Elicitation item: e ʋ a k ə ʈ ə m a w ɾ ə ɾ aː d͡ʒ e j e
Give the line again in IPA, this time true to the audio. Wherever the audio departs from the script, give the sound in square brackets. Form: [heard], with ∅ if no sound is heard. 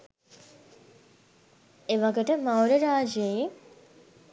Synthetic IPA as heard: e ʋ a [ɡ] ə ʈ ə m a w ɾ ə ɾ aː d͡ʒ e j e